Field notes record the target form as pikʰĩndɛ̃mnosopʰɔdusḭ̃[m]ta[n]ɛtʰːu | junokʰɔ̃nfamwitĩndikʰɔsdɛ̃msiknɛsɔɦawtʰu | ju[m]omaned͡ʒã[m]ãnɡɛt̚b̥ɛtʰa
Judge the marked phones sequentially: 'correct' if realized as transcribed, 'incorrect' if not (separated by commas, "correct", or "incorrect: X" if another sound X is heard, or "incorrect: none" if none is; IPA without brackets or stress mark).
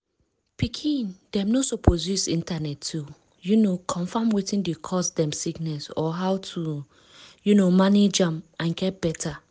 incorrect: n, correct, incorrect: n, correct